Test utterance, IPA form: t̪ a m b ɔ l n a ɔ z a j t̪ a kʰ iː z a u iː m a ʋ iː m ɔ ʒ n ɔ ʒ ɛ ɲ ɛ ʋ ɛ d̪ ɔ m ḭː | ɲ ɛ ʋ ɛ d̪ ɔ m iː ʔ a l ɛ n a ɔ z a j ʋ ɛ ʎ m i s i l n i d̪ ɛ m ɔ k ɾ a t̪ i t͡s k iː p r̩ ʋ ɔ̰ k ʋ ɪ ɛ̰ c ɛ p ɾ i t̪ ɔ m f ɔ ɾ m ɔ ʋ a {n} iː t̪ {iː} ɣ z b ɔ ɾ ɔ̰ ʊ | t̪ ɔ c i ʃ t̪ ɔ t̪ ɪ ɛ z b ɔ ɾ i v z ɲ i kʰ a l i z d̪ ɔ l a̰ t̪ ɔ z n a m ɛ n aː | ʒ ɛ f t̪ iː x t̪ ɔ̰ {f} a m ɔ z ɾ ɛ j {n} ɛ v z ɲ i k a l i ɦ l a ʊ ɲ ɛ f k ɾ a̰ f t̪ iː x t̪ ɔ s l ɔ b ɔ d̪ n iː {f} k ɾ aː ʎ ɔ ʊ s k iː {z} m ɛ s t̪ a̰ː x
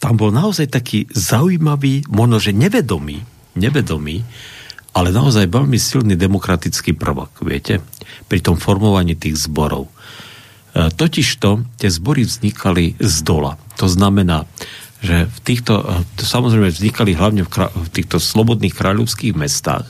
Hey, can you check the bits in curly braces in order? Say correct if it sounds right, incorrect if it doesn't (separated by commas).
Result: incorrect, correct, incorrect, incorrect, incorrect, incorrect